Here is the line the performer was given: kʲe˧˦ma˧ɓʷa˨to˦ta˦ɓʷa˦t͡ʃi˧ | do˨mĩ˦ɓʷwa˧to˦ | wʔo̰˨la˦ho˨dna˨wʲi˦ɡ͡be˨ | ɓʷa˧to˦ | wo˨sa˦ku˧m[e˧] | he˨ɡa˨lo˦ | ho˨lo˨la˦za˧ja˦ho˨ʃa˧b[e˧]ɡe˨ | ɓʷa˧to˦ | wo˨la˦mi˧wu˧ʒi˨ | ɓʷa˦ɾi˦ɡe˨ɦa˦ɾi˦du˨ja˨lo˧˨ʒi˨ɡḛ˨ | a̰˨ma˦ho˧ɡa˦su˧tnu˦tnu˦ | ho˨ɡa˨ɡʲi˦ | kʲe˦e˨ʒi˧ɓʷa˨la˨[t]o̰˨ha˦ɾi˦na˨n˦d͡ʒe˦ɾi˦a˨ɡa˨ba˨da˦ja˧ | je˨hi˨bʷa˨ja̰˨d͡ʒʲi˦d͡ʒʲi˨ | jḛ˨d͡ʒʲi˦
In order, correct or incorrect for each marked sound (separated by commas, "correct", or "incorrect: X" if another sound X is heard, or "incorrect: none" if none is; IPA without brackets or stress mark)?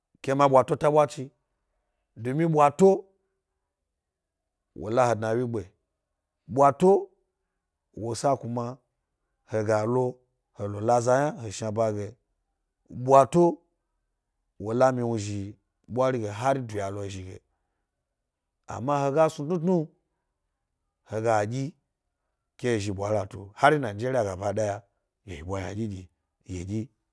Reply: incorrect: a˧, incorrect: a˧, correct